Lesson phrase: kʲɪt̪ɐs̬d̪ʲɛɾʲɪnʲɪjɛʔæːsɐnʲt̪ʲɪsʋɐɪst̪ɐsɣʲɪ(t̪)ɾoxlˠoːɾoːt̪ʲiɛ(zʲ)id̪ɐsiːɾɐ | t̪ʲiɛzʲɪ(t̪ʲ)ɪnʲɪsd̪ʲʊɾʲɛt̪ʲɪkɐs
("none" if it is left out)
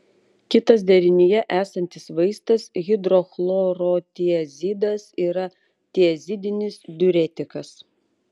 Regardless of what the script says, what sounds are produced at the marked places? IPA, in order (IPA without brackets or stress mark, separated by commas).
d̪, zʲ, d̪ʲ